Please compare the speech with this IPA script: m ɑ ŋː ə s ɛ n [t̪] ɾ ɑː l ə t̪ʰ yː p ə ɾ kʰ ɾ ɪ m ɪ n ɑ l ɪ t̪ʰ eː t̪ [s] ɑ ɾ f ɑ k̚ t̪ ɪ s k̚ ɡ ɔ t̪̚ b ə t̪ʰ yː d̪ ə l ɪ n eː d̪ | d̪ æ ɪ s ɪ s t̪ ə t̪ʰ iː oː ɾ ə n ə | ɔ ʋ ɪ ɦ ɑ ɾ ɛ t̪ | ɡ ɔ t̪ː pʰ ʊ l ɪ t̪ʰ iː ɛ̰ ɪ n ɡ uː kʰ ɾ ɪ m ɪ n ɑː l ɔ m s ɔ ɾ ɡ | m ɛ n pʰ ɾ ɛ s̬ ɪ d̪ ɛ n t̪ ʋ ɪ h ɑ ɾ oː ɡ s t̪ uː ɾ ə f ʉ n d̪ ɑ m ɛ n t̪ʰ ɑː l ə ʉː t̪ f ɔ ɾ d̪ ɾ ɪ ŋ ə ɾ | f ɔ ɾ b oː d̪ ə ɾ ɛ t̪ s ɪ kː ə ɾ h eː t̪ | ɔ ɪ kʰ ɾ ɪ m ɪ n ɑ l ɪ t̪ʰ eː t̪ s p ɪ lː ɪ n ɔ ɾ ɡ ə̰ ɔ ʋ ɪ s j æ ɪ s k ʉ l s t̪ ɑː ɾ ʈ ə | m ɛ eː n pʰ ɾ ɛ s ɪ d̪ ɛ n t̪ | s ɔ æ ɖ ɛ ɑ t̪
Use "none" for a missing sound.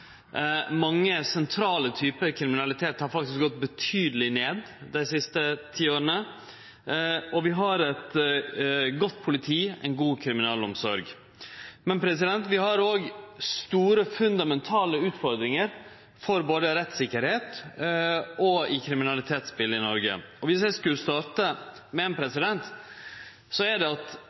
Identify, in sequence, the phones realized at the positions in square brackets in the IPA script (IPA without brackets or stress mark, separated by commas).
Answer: t̪ʰ, h